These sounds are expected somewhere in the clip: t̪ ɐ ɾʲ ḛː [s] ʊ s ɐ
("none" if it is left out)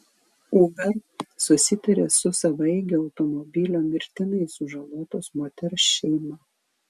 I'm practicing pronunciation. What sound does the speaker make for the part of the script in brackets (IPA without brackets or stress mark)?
s